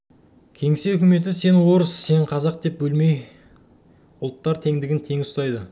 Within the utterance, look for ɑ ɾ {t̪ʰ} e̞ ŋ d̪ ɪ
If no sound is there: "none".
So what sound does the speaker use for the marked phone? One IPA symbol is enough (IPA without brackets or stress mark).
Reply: t̪ʰ